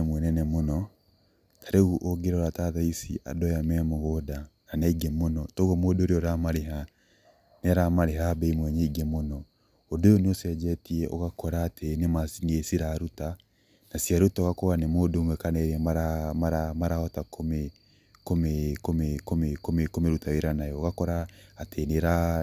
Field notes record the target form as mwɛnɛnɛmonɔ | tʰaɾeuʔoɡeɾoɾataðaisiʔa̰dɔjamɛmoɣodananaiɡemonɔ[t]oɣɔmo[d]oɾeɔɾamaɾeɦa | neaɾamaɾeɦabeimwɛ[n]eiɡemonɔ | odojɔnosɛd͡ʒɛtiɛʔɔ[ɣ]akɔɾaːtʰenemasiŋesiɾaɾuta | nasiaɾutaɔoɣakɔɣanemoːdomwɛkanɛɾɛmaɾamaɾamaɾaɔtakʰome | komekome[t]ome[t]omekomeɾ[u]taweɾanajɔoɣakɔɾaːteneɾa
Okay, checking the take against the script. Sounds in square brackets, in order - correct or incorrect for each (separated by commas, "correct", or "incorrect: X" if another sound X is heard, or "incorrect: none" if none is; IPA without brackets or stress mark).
correct, correct, incorrect: ɲ, correct, incorrect: k, incorrect: k, correct